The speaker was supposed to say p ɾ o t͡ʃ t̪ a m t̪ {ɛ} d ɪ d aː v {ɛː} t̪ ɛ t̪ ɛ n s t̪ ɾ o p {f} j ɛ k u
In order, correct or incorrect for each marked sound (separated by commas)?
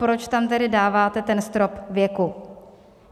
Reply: correct, incorrect, incorrect